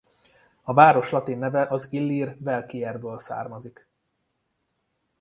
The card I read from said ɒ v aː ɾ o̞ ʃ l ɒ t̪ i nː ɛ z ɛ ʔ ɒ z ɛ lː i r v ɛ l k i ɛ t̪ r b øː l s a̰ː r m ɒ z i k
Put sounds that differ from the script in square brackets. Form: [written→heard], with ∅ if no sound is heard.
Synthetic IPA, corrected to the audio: ɒ v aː ɾ o̞ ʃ l ɒ t̪ i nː ɛ [z→v] ɛ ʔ ɒ z [ɛ→i] lː i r v ɛ l k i ɛ [t̪→∅] r b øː l s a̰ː r m ɒ z i k